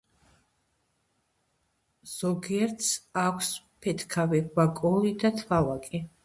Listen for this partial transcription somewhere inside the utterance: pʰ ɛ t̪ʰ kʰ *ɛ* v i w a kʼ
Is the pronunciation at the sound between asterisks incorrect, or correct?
incorrect